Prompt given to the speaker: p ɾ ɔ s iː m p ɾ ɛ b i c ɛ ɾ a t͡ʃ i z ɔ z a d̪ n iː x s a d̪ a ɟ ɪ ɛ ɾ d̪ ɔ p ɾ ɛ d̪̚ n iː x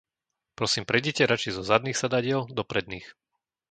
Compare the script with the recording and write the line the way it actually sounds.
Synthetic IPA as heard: p ɾ ɔ s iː m p ɾ ɛ ɟ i c ɛ ɾ a t͡ʃ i z ɔ z a d̪ n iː x s a d̪ a ɟ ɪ ɛ l d̪ ɔ p ɾ ɛ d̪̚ n iː x